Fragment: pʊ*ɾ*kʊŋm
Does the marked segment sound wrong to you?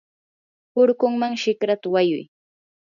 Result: no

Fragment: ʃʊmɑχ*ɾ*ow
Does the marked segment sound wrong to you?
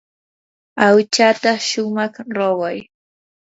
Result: no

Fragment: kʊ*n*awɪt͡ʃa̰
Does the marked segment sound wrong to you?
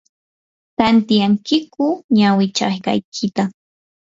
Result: yes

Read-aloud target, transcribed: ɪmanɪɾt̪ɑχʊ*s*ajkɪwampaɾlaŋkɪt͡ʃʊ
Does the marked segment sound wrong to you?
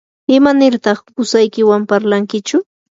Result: no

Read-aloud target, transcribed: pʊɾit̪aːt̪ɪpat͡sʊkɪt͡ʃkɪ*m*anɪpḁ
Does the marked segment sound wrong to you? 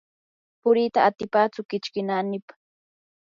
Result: yes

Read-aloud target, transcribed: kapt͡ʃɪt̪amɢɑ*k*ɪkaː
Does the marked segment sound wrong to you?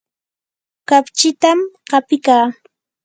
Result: yes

